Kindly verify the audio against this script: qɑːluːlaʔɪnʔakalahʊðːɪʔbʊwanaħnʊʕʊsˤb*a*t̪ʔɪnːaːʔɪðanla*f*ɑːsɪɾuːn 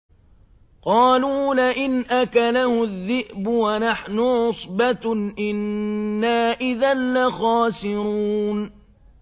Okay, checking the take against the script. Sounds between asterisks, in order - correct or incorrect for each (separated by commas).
correct, incorrect